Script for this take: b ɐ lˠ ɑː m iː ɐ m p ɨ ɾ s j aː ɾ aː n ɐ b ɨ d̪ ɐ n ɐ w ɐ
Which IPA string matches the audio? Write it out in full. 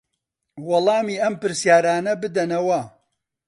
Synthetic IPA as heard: w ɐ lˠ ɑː m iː ɐ m p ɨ ɾ s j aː ɾ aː n ɐ b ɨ d̪ ɐ n ɐ w ɐ